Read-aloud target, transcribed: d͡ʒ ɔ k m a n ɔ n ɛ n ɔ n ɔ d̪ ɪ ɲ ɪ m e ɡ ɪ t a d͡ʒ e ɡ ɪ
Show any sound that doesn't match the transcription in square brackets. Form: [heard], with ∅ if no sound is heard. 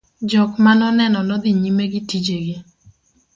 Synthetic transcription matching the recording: d͡ʒ ɔ k m a n ɔ n ɛ n ɔ n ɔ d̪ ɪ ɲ [i] m e ɡ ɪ t [i] d͡ʒ e ɡ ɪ